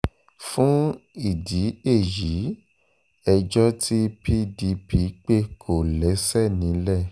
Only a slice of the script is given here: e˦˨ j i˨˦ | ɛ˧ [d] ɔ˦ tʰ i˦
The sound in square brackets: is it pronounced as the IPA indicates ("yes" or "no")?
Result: no